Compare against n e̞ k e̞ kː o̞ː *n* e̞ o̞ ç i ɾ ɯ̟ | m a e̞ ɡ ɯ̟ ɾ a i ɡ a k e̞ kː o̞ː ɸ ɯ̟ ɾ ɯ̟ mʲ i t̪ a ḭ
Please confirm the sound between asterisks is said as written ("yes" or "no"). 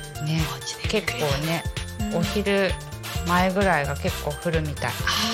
yes